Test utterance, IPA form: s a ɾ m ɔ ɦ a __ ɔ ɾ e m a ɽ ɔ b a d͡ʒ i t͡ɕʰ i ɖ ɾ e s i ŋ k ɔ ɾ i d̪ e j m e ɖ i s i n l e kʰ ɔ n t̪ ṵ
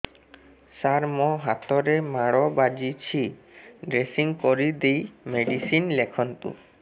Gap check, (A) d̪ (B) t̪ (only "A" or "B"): B